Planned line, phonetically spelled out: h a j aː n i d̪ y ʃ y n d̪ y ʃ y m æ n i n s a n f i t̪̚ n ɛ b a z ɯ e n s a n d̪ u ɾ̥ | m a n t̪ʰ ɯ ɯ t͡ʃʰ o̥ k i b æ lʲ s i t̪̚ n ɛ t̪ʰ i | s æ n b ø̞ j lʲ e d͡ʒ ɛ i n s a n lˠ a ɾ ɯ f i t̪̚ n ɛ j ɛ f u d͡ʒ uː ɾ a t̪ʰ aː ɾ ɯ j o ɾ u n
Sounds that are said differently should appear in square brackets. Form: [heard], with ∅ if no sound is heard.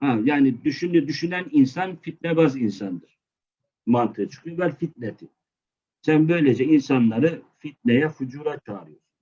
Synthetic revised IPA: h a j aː n i d̪ y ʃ y n d̪ y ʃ y [n] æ n i n s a n f i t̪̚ n ɛ b a z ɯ [i] n s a n d̪ [ɯ] ɾ̥ | m a n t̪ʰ ɯ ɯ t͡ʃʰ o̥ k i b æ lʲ [f] i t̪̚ n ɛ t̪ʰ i | s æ n b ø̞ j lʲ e d͡ʒ ɛ i n s a n lˠ a ɾ ɯ f i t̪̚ n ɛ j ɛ f u d͡ʒ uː ɾ a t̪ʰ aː ɾ ɯ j o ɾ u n